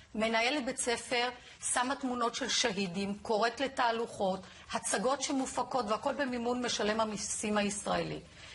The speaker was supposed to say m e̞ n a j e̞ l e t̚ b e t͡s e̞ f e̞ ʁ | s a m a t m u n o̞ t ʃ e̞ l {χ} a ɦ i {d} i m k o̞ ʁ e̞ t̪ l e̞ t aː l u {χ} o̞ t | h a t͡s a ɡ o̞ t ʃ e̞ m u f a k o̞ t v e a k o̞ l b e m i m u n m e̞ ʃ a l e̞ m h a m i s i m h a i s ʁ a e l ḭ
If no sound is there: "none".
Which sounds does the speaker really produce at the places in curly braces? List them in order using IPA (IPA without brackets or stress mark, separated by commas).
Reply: ʃ, d, χ